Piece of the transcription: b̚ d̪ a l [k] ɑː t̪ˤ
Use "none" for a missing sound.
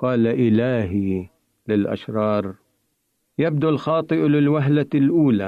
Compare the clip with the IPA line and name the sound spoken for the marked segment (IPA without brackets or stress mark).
x